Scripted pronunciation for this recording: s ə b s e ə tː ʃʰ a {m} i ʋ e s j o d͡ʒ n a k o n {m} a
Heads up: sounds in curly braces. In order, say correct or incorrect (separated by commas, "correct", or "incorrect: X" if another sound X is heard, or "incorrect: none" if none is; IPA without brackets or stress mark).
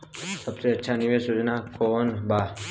incorrect: n, incorrect: b